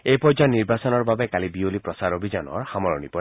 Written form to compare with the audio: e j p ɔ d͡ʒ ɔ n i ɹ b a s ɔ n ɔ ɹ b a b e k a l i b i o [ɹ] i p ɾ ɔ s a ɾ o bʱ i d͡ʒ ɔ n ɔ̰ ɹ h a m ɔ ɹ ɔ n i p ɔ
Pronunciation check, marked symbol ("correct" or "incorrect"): incorrect